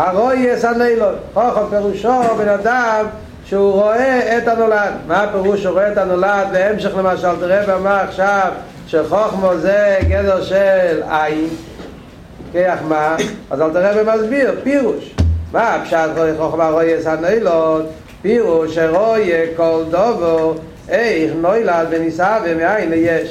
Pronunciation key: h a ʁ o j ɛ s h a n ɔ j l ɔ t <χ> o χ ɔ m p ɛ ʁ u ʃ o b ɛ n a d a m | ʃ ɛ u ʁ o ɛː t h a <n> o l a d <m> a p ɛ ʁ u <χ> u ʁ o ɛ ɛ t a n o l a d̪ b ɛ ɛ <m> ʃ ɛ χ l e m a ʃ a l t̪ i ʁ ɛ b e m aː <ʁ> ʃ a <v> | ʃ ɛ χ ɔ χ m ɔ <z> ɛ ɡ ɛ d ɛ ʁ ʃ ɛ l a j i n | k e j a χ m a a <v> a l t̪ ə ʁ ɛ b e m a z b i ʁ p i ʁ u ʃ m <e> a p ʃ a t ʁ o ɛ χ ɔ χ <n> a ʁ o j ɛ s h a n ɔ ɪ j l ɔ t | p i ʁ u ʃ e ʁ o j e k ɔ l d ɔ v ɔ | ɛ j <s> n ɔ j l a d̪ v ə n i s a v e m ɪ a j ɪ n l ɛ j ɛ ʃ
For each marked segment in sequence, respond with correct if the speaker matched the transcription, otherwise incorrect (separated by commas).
correct, correct, correct, incorrect, correct, incorrect, correct, correct, incorrect, incorrect, incorrect, incorrect